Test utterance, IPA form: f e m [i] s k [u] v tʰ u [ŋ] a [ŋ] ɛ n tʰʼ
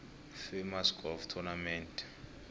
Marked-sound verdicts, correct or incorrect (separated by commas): incorrect, incorrect, incorrect, incorrect